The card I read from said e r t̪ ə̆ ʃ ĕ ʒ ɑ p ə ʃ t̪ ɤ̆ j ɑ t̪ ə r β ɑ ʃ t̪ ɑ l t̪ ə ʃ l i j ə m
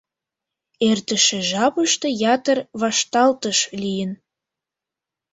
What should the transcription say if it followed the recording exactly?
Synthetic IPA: e r t̪ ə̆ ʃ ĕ ʒ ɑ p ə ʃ t̪ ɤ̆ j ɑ t̪ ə r β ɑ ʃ t̪ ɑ l t̪ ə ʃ l i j ə n